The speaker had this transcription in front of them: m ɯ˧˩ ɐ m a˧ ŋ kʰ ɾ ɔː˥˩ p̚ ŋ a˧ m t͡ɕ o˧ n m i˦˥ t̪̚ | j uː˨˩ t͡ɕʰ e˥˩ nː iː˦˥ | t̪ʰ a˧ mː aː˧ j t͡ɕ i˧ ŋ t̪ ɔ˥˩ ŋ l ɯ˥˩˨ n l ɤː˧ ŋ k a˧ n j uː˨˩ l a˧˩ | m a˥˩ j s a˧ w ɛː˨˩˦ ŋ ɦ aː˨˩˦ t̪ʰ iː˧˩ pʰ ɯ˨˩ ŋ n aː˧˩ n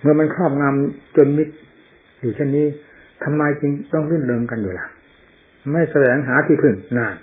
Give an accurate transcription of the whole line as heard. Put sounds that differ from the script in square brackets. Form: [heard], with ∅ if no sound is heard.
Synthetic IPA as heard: m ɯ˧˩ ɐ m a˧ [n] kʰ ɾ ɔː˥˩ p̚ ŋ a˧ m t͡ɕ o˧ n m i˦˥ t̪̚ | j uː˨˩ t͡ɕʰ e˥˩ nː iː˦˥ | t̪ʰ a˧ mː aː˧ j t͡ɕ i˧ ŋ t̪ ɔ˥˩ ŋ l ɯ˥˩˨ n l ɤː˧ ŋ k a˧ n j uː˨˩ l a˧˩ | m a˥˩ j s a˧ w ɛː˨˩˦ ŋ ɦ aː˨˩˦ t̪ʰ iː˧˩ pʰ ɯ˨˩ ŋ n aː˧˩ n